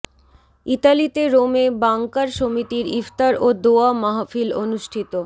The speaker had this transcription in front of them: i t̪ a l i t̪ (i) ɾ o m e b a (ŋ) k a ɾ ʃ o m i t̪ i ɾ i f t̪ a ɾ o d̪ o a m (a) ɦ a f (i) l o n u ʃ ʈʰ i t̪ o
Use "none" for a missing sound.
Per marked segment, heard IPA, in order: e, ŋ, a, i

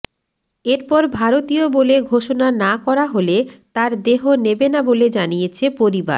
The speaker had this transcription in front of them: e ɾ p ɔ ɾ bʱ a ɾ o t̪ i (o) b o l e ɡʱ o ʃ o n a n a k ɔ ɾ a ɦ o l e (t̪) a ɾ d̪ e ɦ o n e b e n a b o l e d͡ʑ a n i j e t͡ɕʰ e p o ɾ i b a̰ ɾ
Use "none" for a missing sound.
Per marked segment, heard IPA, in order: o, t̪

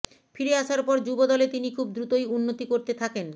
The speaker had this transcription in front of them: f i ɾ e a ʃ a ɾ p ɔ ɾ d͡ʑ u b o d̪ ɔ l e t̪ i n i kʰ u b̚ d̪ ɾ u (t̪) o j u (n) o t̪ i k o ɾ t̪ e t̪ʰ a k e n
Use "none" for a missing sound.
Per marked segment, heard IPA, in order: t̪, nː

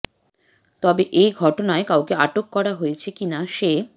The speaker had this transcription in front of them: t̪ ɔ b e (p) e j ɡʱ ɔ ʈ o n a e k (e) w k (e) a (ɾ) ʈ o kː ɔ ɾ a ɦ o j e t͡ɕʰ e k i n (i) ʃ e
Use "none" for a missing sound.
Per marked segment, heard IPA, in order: ʔ, a, e, none, a

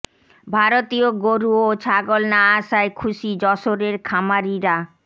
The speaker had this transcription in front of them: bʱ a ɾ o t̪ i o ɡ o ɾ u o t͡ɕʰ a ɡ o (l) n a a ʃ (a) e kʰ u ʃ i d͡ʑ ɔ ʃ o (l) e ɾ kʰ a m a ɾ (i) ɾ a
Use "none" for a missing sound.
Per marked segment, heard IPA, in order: l, a, ɾ, i

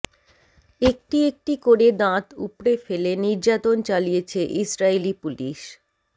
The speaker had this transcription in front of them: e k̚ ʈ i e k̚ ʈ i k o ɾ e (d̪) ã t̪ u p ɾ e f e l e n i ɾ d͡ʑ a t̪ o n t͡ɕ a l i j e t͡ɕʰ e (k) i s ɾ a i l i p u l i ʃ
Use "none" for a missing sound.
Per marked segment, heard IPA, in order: d̪, ʔ

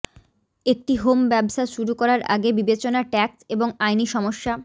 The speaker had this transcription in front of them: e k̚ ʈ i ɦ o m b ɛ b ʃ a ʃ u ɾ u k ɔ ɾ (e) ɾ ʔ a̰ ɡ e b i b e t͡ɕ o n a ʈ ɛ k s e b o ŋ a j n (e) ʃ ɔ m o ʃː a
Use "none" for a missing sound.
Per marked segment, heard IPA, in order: a, i

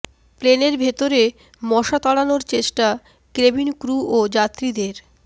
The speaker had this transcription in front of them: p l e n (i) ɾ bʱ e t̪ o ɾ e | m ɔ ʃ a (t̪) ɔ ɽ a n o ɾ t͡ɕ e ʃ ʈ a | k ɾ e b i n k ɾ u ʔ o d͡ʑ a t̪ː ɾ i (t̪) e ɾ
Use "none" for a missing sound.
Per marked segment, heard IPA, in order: e, t̪, d̪

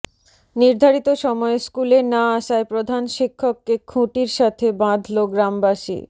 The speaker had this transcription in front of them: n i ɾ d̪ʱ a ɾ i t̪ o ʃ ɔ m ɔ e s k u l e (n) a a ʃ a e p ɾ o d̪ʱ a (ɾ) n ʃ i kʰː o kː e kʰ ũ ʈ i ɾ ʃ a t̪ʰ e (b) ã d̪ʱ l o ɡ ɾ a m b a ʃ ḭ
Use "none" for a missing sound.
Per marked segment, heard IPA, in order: n, none, b

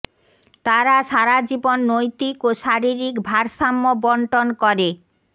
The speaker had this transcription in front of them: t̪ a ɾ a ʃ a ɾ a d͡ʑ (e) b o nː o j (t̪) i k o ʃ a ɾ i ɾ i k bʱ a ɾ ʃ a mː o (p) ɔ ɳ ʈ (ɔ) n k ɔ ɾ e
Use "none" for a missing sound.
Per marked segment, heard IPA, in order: i, t̪, b, o

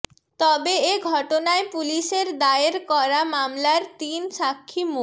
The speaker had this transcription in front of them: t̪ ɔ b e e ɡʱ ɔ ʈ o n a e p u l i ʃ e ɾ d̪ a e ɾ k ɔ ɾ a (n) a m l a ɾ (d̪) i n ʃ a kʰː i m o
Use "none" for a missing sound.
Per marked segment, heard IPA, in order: m, t̪

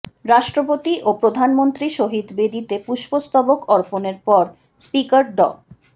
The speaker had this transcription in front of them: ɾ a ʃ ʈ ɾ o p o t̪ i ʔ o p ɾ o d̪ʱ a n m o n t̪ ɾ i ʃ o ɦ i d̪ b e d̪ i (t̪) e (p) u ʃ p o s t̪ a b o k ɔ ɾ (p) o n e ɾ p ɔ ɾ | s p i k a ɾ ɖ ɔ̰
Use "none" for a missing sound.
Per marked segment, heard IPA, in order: t̪, p, p

